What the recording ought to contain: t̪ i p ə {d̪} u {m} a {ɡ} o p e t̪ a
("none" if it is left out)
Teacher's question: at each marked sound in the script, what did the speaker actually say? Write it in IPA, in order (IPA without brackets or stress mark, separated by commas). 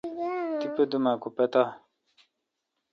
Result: d̪, m, k